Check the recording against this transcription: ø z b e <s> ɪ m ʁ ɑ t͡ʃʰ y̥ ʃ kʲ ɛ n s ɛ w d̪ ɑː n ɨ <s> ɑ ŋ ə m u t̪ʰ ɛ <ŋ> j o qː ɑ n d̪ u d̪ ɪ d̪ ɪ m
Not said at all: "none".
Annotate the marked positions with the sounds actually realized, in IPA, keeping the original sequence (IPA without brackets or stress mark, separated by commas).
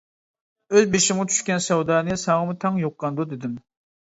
ʃ, s, ŋ